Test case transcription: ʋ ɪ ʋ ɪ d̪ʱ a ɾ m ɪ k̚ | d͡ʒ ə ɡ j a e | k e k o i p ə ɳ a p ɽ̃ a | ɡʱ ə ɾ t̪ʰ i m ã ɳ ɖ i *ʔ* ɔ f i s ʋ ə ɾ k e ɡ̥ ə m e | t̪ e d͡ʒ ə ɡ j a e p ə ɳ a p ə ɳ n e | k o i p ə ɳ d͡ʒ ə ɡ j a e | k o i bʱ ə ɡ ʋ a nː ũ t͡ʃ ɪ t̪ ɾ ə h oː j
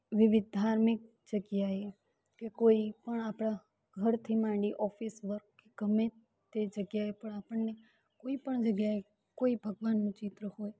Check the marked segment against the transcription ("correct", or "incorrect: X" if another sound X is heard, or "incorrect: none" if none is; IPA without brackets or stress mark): correct